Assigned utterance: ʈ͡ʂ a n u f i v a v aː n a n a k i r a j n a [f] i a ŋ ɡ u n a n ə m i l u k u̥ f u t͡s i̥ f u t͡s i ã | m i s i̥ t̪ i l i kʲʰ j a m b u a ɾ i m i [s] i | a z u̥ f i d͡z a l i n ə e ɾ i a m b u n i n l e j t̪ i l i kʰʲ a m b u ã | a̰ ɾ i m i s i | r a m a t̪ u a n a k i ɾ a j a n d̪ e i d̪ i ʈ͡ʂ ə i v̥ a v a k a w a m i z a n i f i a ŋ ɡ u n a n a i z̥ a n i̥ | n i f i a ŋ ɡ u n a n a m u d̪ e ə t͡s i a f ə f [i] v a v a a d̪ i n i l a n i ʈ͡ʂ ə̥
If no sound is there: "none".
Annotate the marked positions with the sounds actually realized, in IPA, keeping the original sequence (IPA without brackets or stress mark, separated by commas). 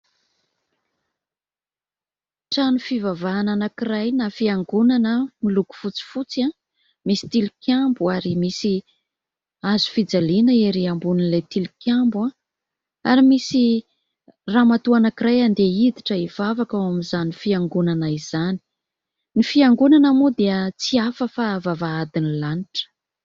f, s, a